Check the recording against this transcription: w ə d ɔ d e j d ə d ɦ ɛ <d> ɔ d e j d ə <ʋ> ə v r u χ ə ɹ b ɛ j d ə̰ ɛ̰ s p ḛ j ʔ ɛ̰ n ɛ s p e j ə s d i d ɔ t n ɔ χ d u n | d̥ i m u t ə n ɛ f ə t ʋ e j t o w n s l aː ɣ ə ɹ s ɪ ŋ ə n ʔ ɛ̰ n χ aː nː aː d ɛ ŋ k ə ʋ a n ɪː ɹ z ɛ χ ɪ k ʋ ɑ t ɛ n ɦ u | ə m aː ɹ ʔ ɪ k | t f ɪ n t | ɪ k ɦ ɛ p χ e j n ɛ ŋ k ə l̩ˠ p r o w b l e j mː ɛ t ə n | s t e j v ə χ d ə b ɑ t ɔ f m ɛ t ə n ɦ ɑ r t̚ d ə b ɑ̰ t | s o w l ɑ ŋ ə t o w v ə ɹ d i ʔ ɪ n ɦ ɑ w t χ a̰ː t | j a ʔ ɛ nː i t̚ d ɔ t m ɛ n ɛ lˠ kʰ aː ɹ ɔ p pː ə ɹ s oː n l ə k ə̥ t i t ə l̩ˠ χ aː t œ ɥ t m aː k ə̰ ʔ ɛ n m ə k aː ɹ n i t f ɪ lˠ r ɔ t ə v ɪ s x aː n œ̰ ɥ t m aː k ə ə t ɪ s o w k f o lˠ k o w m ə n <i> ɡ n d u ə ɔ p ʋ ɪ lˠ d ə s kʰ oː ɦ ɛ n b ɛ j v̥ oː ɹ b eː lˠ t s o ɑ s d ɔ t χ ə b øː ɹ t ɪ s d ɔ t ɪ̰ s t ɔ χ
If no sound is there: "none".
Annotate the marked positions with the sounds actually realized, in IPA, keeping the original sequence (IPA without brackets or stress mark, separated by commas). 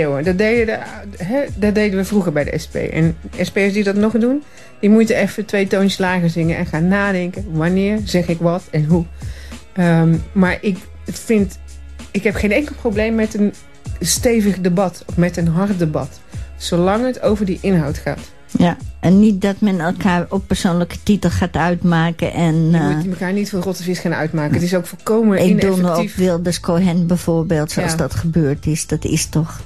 d, ʋ, ɪ